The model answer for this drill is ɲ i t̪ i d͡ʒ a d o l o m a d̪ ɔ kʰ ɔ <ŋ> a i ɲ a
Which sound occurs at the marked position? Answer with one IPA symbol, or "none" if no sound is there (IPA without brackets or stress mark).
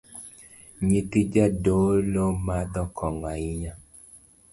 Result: ŋ